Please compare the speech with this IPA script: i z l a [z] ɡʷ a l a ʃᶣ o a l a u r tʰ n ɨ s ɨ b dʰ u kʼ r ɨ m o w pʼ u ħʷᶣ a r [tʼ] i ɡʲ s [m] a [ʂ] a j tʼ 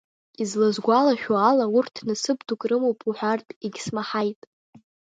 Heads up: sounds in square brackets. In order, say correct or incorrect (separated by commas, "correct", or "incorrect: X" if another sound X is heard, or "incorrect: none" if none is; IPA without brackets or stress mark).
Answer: correct, correct, correct, incorrect: ħ